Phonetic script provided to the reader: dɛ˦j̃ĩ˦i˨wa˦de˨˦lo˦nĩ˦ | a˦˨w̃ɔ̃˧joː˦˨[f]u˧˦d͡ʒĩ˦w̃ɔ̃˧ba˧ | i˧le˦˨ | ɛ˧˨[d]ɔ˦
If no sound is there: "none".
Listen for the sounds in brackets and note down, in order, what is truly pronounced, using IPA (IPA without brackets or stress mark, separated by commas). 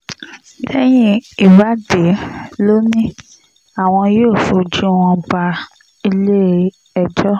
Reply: f, d͡ʒ